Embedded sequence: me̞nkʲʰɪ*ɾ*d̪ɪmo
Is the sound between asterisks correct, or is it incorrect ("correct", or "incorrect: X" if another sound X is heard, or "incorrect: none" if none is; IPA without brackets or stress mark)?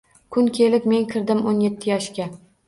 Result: correct